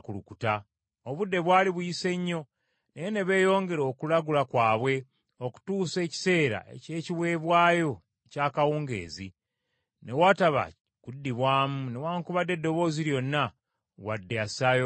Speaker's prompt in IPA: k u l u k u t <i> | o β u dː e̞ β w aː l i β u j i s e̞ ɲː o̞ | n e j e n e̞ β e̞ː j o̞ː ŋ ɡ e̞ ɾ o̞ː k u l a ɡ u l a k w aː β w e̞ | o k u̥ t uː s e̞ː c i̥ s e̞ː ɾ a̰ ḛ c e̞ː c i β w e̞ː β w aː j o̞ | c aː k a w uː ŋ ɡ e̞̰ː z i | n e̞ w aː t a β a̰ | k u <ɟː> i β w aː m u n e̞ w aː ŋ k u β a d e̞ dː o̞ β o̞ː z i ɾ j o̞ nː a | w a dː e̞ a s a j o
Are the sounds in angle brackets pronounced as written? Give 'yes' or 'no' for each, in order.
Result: no, no

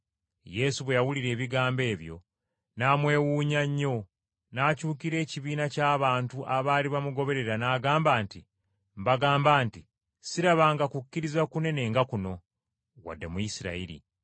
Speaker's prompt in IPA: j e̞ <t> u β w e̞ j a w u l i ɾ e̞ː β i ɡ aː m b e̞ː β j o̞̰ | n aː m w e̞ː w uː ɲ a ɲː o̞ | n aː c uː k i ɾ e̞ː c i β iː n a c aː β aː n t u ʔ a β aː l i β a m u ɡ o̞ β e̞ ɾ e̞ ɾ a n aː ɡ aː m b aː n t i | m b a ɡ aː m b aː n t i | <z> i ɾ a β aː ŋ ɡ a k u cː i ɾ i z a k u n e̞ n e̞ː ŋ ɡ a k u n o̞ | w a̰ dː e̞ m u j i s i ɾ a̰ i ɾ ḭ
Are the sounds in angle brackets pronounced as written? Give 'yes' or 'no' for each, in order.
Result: no, no

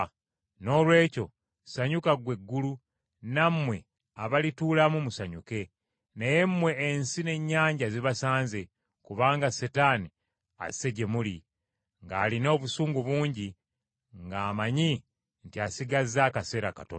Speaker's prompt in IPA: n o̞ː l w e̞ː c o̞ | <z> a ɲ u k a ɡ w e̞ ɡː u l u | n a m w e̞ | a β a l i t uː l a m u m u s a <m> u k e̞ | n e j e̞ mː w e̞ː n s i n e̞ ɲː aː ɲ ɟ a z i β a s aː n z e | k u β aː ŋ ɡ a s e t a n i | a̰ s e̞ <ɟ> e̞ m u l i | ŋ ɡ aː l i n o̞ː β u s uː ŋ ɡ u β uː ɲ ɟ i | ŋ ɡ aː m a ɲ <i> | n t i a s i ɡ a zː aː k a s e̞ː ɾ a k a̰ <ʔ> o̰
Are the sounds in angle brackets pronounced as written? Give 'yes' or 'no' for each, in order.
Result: no, no, yes, yes, no

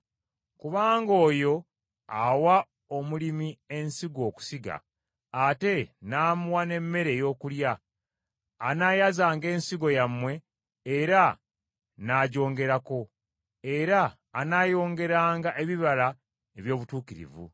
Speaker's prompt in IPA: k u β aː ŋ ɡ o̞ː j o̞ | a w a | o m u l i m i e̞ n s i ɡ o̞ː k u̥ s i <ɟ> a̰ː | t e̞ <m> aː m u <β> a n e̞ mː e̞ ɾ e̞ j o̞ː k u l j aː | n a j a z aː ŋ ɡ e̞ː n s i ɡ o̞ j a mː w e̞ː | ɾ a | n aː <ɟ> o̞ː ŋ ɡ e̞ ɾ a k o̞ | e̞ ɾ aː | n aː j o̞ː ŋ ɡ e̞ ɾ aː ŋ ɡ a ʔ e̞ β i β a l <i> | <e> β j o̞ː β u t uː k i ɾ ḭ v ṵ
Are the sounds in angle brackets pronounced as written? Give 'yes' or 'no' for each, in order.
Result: no, no, no, yes, no, yes

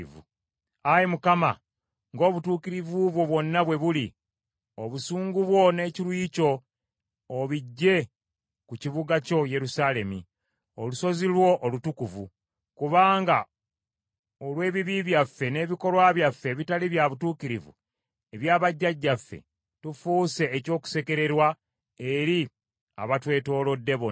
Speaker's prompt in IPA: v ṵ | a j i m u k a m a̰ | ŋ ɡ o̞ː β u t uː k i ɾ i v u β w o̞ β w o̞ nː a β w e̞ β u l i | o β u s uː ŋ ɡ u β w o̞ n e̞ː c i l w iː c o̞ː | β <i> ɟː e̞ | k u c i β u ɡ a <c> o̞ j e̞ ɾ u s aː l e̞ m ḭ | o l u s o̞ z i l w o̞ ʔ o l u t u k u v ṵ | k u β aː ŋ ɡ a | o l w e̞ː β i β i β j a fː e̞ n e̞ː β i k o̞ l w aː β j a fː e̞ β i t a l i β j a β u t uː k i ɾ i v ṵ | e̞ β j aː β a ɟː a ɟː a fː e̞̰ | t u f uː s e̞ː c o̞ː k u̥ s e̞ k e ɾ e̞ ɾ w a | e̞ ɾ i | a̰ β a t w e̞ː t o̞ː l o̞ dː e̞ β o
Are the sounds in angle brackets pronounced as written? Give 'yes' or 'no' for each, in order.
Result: yes, yes

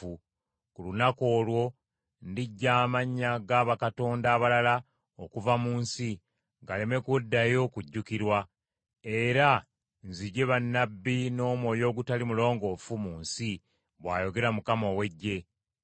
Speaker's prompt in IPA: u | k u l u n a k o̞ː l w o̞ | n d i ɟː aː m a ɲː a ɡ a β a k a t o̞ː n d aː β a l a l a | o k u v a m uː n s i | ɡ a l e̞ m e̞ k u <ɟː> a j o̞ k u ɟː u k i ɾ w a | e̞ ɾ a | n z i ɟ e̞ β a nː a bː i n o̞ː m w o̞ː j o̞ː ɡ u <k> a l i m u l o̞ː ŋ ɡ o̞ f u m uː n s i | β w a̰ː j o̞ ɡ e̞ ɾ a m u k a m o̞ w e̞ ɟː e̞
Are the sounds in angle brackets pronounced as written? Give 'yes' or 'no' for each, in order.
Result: no, no

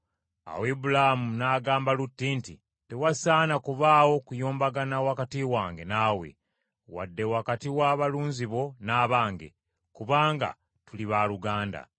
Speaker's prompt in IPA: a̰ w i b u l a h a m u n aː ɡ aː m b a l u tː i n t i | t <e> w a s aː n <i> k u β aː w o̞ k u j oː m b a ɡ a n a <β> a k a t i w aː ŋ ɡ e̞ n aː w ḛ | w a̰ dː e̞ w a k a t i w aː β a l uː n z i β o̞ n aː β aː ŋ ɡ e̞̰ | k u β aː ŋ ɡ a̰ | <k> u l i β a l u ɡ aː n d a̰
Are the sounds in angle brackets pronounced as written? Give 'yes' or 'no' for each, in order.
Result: yes, no, no, no

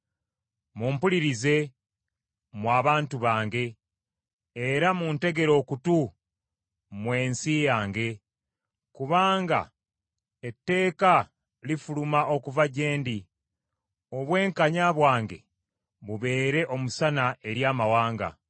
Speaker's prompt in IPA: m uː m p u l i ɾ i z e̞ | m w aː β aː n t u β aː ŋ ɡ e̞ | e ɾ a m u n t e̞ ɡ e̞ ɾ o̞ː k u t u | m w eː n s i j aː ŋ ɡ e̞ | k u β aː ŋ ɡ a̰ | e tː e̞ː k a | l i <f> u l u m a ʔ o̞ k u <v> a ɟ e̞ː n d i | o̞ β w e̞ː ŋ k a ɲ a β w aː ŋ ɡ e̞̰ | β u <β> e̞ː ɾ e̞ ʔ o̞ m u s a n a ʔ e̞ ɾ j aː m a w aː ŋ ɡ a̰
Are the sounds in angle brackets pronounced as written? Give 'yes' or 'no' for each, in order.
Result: yes, yes, yes

